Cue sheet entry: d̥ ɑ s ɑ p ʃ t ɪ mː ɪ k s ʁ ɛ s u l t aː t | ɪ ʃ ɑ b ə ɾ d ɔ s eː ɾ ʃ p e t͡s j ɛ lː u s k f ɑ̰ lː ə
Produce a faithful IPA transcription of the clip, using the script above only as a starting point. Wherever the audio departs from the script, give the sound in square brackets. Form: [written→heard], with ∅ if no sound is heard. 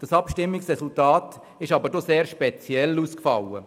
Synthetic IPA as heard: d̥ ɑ s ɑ p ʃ t ɪ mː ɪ k s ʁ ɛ s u l t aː t | ɪ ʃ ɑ b ə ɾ d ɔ s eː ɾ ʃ p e t͡s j ɛ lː u s k f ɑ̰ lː ə